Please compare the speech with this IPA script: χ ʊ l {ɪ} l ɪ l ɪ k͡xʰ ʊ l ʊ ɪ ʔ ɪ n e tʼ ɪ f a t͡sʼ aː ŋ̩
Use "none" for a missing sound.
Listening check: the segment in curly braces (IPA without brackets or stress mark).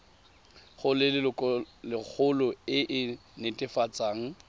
ɪ